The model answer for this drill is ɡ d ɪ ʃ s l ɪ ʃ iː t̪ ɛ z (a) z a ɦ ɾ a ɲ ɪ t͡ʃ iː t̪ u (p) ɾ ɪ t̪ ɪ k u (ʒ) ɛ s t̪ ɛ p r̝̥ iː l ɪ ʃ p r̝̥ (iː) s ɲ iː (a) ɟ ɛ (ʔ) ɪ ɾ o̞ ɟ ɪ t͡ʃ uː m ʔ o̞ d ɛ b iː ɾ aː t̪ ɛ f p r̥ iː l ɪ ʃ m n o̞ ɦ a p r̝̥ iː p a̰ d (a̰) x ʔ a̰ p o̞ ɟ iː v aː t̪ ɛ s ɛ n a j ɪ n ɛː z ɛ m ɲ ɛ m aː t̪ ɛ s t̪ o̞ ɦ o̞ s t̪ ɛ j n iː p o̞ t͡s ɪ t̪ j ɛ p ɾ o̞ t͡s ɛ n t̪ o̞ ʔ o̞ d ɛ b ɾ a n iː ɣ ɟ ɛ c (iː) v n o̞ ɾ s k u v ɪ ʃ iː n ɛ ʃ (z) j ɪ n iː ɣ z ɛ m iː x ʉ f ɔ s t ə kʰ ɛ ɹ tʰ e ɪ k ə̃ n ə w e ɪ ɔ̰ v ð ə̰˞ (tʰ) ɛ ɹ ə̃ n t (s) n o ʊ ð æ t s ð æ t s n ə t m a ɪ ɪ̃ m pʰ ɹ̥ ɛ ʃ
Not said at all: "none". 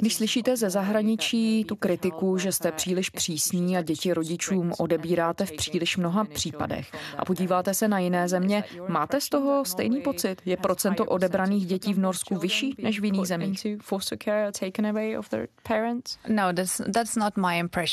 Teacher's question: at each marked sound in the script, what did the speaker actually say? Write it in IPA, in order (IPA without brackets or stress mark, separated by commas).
ɛ, k, ʒ, iː, a, c, ɛ̰, iː, v, pʰ, s